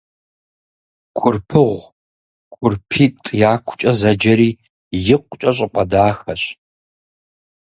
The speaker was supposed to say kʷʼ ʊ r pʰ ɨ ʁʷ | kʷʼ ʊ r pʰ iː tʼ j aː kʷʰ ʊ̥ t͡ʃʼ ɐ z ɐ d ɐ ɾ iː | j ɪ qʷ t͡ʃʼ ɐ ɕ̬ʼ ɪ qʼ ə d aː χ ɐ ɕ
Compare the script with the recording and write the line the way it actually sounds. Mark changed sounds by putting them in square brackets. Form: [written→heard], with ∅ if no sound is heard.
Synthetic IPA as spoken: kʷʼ ʊ r pʰ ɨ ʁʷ | kʷʼ ʊ r pʰ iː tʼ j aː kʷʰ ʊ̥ t͡ʃʼ ɐ z ɐ [d→d͡ʒ] ɐ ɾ iː | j ɪ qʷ t͡ʃʼ ɐ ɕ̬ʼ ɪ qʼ [ə→ɐ] d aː [χ→x] ɐ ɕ

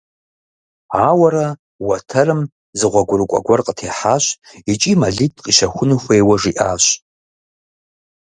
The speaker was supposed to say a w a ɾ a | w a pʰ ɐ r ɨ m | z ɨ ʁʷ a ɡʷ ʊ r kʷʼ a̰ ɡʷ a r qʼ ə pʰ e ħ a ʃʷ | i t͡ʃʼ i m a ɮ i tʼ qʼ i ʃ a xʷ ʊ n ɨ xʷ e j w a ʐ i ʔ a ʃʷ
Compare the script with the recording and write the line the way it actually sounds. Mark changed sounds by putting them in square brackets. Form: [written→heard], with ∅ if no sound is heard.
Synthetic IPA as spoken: a w a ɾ a | w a [pʰ→tʰ] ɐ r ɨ m | z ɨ ʁʷ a ɡʷ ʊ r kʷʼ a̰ ɡʷ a r qʼ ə [pʰ→tʰ] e ħ a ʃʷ | i t͡ʃʼ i m a ɮ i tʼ qʼ i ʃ a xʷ ʊ n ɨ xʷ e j w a ʐ i ʔ a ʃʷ

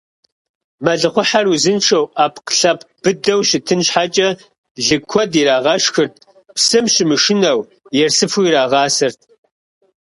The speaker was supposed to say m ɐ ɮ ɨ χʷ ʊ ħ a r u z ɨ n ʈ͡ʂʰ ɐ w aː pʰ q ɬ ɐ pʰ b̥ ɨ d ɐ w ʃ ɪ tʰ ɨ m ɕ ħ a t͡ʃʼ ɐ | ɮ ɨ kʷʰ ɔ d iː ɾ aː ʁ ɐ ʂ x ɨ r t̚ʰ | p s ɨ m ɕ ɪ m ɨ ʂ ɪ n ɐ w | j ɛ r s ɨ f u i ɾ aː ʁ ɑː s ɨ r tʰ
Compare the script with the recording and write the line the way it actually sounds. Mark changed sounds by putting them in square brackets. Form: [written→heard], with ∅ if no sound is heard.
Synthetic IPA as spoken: m ɐ ɮ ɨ χʷ ʊ ħ a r u z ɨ n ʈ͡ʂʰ ɐ w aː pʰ q ɬ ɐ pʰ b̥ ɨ d ɐ w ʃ ɪ tʰ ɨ [m→n] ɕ ħ a t͡ʃʼ ɐ | ɮ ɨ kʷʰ ɔ d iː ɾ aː ʁ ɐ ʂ x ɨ r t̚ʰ | p s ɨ m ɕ ɪ m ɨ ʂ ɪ n ɐ w | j ɛ r s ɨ f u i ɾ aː ʁ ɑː s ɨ r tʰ

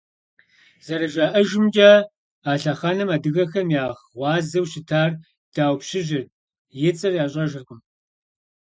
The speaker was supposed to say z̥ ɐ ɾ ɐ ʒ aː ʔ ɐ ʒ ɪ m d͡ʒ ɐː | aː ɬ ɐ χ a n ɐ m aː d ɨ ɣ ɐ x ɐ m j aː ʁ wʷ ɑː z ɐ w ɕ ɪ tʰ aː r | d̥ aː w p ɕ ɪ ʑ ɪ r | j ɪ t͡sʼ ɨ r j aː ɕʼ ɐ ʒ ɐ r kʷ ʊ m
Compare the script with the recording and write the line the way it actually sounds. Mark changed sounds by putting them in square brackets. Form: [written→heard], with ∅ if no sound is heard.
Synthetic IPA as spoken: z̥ ɐ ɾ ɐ ʒ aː ʔ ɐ ʒ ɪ m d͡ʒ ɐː | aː ɬ ɐ χ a n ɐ m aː d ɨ ɣ ɐ x ɐ m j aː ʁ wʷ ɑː z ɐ w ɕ ɪ tʰ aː r | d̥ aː w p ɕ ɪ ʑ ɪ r | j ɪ t͡sʼ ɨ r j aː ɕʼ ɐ ʒ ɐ r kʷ ʊ m

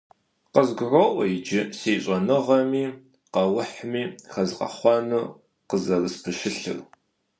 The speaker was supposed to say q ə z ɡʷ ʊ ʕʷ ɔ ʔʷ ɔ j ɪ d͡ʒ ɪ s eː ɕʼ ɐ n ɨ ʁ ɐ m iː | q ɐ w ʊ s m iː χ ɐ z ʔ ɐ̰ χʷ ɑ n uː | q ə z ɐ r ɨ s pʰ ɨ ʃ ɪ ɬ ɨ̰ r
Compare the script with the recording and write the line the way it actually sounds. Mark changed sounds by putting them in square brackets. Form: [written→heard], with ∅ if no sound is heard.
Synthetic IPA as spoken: q ə z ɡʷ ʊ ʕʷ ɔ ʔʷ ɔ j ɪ d͡ʒ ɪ s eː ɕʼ ɐ n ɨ ʁ ɐ m iː | q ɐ w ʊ [s→ħ] m iː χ ɐ z [ʔ→q] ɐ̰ χʷ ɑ n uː | q ə z ɐ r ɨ s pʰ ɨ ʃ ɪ ɬ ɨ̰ r

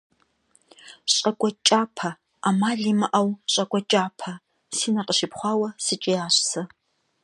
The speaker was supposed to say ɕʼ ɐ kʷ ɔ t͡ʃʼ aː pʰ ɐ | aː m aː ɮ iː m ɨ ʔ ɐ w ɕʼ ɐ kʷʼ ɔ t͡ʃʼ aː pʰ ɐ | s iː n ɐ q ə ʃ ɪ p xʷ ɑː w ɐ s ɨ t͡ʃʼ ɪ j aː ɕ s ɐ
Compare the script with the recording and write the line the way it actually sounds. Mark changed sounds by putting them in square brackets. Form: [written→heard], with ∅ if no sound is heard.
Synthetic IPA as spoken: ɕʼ ɐ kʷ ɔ t͡ʃʼ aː pʰ ɐ | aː m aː ɮ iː m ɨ ʔ ɐ w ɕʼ ɐ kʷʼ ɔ t͡ʃʼ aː pʰ ɐ | s iː n ɐ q ə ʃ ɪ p [xʷ→χʷ] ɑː w ɐ s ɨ t͡ʃʼ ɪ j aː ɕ s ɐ

